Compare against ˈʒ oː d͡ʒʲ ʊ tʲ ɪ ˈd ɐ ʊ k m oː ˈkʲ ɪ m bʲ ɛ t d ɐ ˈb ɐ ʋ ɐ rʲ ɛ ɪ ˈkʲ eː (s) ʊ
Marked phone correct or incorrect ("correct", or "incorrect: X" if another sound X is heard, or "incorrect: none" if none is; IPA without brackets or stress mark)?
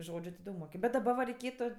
incorrect: t